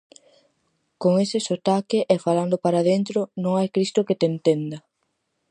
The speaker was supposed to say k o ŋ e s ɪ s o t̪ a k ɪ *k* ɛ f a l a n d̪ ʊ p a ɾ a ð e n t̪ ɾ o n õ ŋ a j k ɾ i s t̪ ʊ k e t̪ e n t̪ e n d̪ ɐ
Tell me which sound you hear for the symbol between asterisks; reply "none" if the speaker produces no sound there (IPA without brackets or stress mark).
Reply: ʔ